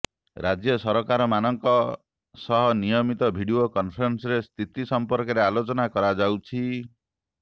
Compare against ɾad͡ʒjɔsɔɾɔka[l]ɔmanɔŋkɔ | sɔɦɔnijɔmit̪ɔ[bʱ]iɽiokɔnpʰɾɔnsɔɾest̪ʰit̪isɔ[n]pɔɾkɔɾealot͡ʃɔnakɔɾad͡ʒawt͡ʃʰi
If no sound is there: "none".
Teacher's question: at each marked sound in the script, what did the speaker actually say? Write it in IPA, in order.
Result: ɾ, bʱ, m

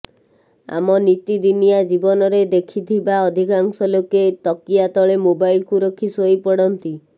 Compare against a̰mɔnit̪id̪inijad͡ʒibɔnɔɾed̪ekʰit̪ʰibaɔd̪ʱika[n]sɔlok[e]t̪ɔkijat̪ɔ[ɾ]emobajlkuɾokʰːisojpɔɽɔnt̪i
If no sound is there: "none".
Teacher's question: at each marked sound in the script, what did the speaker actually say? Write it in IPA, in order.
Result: ŋ, e, ɭ

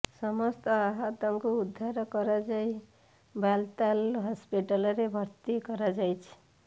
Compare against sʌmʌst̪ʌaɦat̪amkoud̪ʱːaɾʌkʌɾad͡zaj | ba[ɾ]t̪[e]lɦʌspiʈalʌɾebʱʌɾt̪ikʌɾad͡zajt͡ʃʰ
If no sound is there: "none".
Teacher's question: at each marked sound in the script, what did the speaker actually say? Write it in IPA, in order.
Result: l, a

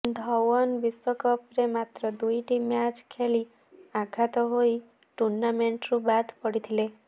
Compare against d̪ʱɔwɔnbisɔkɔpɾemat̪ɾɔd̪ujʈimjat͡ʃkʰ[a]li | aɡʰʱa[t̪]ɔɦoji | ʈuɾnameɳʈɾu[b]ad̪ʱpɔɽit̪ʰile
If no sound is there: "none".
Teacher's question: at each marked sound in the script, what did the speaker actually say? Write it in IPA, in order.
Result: e, t̪, b

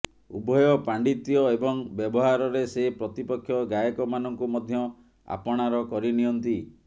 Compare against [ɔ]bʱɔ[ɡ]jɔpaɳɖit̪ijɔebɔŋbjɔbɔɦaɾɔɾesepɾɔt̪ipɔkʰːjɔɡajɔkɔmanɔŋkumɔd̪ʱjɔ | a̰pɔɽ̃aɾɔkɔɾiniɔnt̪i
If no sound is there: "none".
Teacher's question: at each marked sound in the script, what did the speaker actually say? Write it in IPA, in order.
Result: u, none

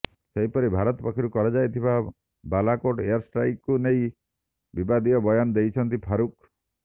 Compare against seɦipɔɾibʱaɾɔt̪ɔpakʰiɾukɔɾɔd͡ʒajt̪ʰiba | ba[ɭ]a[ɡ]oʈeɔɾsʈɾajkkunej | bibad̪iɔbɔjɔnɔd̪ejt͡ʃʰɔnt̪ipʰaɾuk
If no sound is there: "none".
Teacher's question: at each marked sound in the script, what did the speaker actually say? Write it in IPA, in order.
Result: l, k

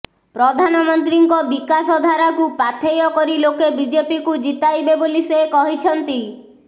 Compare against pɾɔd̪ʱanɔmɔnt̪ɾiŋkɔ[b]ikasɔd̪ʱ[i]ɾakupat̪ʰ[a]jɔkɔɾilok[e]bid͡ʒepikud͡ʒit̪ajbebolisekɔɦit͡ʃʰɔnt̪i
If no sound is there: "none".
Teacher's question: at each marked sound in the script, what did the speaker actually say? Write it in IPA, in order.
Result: b, a, e, e

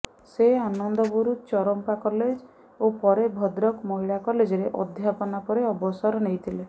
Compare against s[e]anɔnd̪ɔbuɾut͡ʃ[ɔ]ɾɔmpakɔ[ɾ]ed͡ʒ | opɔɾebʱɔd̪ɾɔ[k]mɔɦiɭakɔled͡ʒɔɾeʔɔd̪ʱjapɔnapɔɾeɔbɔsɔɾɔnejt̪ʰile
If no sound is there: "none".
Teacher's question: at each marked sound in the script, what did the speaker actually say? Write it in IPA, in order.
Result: e, ɔ, l, k

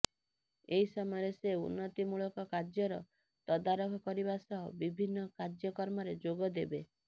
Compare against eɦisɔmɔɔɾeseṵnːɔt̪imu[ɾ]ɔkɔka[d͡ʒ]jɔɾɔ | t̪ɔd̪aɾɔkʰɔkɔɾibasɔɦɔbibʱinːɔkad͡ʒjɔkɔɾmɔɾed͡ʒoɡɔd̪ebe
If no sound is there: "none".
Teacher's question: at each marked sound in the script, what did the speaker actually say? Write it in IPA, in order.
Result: ɭ, d͡ʒ

